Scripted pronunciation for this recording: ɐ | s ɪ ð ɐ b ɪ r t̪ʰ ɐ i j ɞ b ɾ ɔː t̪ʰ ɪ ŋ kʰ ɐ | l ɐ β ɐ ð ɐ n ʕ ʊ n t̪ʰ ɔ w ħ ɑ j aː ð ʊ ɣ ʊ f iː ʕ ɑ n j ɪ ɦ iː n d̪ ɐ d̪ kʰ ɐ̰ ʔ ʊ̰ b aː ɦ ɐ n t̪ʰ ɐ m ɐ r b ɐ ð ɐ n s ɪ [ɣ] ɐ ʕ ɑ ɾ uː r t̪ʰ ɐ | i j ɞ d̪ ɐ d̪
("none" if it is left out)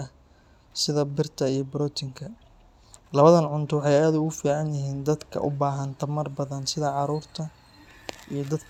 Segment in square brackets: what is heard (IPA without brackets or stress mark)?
ð